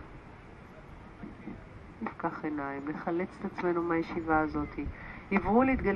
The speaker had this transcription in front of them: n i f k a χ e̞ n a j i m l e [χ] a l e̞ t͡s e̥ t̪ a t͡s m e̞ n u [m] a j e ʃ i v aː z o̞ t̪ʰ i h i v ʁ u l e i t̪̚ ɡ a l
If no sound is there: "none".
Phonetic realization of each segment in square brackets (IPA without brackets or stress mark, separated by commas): χ, m